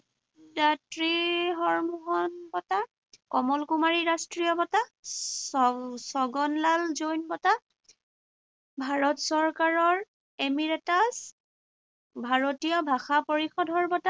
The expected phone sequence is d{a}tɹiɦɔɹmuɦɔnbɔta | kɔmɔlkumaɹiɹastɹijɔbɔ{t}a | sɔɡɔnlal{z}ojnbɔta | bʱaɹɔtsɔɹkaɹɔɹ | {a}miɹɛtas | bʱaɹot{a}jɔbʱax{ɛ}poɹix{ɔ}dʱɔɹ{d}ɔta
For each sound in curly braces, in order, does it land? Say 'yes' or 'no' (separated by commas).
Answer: yes, yes, yes, no, no, no, yes, no